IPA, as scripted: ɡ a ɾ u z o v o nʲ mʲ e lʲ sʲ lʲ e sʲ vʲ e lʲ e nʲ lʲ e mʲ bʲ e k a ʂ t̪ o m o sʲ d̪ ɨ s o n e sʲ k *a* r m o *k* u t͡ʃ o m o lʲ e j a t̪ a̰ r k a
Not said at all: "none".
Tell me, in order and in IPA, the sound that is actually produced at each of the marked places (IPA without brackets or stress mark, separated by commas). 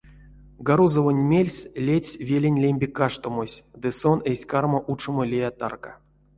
a, ʔ